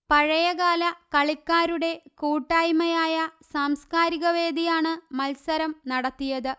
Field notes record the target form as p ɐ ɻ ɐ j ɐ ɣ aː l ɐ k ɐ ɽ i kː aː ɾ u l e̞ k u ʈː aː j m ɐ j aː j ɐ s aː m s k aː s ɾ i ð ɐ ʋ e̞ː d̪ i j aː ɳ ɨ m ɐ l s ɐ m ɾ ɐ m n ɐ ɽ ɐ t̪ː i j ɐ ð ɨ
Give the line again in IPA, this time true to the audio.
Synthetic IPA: p ɐ ɻ ɐ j ɐ ɣ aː l ɐ k ɐ ɭ i kː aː ɾ u ɽ e̞ k uː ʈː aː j m ɐ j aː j ɐ s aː m s k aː ɾ i ɣ ɐ ʋ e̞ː d̪ i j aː ɳ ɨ m ɐ l s ɐ ɾ ɐ m n ɐ ɽ ɐ t̪ː i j ɐ ð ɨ